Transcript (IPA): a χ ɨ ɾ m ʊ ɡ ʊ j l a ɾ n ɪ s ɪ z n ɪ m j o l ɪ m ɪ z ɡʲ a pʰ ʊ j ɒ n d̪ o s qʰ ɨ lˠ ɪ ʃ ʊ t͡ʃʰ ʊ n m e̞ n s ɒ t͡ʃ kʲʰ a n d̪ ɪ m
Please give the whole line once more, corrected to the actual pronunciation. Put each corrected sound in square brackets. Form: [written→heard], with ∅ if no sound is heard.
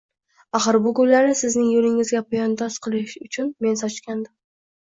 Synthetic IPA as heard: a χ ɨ ɾ [m→b] ʊ ɡ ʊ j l a ɾ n ɪ s ɪ z n ɪ [m→ŋ] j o l ɪ [m→ŋ] ɪ z ɡʲ a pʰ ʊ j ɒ n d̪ [o→ɒ] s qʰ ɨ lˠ ɪ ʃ ʊ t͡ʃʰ ʊ n m e̞ n s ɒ t͡ʃ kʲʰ a n d̪ ɪ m